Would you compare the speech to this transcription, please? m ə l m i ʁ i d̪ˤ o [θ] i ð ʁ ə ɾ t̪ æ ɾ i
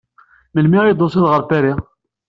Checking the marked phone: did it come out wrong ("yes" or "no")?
yes